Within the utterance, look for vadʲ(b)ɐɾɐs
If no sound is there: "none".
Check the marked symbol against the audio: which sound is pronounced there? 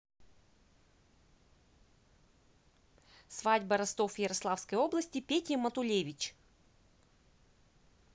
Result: b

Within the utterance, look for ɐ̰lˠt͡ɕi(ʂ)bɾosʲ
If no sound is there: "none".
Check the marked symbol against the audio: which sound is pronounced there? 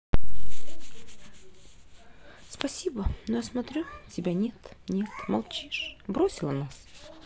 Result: ʂ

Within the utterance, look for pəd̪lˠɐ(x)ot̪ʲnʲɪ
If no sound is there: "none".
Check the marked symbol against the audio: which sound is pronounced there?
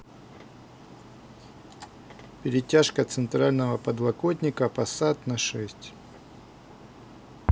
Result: k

